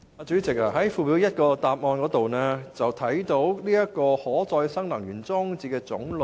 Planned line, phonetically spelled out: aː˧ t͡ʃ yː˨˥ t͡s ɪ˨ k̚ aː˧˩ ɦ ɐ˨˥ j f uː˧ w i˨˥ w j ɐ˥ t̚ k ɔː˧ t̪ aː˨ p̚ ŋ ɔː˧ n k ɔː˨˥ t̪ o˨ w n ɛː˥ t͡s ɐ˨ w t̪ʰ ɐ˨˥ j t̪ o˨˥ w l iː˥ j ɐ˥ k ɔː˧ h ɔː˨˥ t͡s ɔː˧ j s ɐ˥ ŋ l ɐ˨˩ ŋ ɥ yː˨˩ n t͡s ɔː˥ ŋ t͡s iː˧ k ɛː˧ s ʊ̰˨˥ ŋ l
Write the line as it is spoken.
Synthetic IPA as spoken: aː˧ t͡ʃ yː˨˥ t͡s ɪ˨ k̚ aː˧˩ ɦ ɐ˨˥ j f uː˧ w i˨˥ w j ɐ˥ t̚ k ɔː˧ t̪ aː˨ p̚ ŋ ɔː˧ n k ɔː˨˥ t̪ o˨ w n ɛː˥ t͡s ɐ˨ w t̪ʰ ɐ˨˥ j t̪ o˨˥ w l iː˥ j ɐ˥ k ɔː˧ h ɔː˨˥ t͡s ɔː˧ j s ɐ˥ ŋ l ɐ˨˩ ŋ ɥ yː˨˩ n t͡s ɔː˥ ŋ t͡s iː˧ k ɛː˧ t͡s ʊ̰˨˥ ŋ l